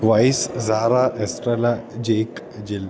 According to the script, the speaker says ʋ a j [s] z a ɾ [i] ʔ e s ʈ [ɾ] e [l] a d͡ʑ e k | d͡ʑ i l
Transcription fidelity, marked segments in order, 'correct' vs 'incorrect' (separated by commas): correct, incorrect, correct, correct